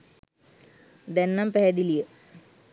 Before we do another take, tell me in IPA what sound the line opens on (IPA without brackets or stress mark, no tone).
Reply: d̪